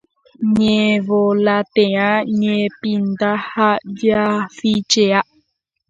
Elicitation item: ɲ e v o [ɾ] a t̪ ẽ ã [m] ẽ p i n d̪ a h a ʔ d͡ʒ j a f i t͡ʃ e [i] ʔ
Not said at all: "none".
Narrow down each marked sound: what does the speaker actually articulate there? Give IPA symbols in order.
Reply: l, ɲ, a

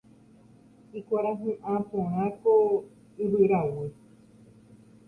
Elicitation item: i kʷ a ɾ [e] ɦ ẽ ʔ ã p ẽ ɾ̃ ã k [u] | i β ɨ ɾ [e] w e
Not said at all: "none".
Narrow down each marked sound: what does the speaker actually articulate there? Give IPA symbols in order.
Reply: a, o, a

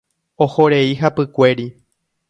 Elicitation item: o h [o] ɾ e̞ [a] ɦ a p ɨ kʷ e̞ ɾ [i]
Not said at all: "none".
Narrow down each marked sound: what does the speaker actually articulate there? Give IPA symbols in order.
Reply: o, i, i

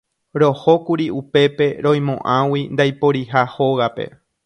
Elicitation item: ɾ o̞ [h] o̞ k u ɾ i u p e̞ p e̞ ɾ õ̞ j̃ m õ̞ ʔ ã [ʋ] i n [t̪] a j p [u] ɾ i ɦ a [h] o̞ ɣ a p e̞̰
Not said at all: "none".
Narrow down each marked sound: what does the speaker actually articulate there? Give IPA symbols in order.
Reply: h, w, d̪, o, h

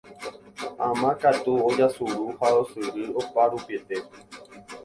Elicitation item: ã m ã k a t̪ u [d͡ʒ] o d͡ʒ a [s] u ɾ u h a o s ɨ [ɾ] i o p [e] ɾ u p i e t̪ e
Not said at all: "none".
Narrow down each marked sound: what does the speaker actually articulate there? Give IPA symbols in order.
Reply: none, s, ɾ, a

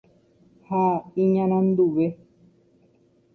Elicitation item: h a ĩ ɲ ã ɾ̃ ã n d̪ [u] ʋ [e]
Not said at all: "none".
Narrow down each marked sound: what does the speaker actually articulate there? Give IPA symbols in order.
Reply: u, e

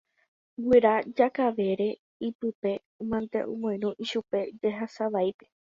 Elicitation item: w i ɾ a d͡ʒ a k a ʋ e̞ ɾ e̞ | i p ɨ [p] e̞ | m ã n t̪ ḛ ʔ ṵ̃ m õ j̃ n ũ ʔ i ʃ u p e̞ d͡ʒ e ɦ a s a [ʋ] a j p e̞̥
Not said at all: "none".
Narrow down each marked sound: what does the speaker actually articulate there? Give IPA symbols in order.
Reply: p, ʋ

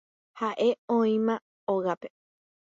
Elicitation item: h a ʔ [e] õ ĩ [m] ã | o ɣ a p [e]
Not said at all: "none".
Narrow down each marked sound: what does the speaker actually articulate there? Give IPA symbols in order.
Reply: e, m, e

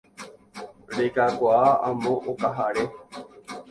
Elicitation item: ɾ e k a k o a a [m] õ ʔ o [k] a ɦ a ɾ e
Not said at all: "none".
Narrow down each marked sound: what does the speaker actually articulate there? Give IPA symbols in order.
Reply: m, k

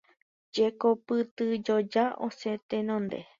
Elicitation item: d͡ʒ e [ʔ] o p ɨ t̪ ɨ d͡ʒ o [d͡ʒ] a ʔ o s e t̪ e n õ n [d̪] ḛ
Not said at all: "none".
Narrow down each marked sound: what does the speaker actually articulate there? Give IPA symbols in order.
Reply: k, d͡ʒ, d̪

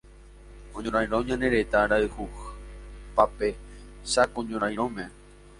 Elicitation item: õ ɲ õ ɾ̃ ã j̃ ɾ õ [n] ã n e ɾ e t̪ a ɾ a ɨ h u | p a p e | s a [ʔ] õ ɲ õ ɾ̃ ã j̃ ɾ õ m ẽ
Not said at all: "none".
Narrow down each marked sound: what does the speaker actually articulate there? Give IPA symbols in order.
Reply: ɲ, k

